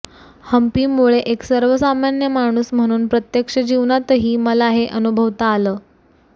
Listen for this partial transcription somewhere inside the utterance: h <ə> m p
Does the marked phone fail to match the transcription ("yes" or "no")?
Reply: no